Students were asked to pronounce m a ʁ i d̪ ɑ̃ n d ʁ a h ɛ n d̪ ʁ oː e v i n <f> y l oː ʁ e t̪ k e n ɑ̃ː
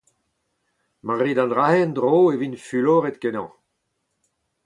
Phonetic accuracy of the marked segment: correct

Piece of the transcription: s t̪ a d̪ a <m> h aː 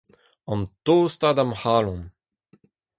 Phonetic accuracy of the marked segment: correct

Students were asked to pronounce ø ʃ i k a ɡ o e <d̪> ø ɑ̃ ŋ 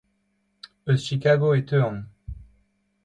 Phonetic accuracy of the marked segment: incorrect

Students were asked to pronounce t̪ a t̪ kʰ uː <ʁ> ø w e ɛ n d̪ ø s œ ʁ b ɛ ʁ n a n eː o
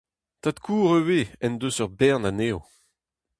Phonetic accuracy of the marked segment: correct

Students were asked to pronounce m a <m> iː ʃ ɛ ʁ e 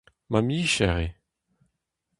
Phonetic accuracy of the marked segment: correct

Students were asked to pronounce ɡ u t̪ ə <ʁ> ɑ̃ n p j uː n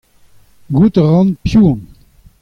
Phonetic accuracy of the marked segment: correct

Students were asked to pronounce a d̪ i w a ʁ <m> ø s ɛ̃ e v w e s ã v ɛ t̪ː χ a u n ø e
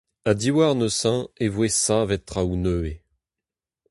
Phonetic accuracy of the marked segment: incorrect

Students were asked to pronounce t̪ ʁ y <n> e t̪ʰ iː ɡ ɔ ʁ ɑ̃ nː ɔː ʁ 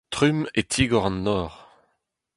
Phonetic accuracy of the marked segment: incorrect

